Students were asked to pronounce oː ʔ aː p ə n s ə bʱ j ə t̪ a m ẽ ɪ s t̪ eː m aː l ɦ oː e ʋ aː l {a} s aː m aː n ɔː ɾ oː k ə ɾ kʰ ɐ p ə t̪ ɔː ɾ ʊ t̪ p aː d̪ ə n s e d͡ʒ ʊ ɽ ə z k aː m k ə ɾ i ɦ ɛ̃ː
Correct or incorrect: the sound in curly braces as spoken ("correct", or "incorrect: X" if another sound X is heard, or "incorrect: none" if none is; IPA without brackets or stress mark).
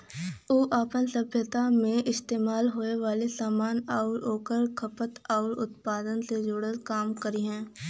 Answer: incorrect: e